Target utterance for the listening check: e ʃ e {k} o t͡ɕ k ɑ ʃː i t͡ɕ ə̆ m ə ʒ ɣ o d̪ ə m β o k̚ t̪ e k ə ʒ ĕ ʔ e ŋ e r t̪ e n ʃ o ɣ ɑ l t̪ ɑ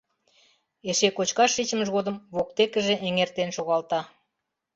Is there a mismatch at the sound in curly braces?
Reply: no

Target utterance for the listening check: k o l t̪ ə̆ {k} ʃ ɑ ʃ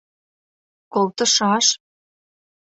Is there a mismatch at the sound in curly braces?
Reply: yes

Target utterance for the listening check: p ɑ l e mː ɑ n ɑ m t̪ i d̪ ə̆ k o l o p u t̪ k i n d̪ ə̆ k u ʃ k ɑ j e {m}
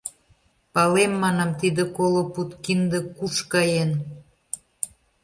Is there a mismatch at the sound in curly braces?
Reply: yes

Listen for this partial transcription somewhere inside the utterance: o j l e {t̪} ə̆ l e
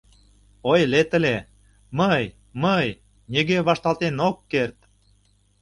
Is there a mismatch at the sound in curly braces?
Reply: no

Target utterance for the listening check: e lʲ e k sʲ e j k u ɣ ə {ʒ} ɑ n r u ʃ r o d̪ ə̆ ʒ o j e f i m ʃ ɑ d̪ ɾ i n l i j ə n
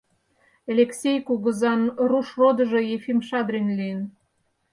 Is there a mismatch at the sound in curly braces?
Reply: yes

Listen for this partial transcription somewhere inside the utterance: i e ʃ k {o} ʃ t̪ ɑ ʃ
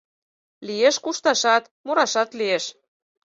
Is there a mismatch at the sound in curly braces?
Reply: yes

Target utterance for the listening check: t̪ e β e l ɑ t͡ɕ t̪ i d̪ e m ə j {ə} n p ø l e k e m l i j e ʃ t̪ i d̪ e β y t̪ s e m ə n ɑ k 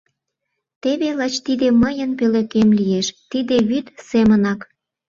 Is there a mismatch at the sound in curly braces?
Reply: no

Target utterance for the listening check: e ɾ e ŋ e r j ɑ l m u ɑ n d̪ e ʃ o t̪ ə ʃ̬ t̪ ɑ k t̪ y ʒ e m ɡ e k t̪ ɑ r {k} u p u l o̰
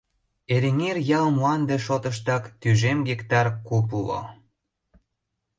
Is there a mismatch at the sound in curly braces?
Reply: no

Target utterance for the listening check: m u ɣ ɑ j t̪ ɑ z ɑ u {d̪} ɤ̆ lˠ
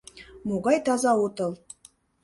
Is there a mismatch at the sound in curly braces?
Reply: yes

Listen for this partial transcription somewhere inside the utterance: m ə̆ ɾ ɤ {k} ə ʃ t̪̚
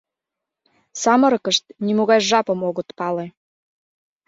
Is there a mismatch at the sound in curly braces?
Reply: no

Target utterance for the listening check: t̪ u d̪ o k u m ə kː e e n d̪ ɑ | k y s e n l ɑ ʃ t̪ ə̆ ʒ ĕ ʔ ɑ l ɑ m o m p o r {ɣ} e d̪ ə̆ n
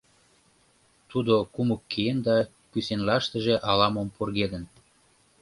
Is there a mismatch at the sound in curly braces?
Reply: no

